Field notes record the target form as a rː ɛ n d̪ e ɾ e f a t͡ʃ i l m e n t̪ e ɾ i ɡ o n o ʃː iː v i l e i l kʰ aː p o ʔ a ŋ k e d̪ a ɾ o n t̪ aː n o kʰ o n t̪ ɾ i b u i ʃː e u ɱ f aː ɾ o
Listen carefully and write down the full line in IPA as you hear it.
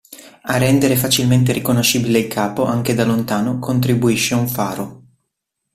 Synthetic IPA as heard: a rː ɛ n d̪ e ɾ e f a t͡ʃ i l m e n t̪ e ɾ i k o n o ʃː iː b i l e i l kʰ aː p o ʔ a ŋ k e d̪ a l o n t̪ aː n o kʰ o n t̪ ɾ i b u i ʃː e u ɱ f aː ɾ o